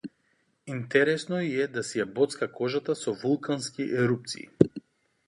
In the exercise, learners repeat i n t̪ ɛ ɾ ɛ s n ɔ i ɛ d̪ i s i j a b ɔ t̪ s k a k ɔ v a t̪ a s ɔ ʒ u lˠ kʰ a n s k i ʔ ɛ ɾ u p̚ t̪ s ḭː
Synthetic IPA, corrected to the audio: i n t̪ ɛ ɾ ɛ s n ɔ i ɛ d̪ a s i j a b ɔ t̪ s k a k ɔ ʒ a t̪ a s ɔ v u lˠ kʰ a n s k i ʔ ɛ ɾ u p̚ t̪ s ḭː